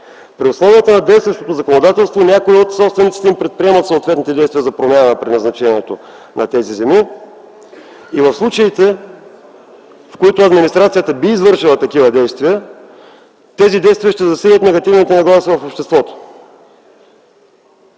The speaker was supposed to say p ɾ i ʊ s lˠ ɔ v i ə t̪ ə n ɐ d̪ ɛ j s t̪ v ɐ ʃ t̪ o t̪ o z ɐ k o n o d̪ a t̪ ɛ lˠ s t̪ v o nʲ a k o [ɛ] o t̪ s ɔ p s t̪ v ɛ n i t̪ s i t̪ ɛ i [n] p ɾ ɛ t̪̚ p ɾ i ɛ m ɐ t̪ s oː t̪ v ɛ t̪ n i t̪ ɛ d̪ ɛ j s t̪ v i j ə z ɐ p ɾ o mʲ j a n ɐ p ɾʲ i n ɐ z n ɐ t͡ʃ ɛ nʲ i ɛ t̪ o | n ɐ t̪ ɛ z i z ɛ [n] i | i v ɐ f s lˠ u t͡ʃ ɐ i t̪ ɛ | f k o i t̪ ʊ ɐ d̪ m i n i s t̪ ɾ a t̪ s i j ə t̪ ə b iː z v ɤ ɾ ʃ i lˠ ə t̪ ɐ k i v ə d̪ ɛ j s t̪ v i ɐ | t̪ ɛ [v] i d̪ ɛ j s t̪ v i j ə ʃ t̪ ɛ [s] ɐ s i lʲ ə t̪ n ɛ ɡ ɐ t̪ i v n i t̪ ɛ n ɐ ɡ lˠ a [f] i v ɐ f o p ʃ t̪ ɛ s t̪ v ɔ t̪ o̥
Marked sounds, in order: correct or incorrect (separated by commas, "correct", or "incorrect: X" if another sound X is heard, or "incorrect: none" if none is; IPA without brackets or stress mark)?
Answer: incorrect: i, incorrect: m, incorrect: m, incorrect: z, incorrect: z, incorrect: s